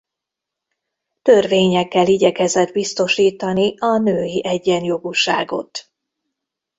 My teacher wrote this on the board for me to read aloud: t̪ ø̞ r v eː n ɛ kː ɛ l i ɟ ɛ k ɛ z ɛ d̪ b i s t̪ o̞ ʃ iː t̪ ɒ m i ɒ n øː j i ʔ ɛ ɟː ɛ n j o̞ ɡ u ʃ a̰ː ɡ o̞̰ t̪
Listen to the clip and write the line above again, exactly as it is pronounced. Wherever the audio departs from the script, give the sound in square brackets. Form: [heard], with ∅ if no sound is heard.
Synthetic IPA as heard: t̪ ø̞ r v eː [ɲ] ɛ kː ɛ l i ɟ ɛ k ɛ z ɛ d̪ b i s t̪ o̞ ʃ iː t̪ ɒ [n] i ɒ n øː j i ʔ ɛ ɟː ɛ n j o̞ ɡ u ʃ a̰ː ɡ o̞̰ t̪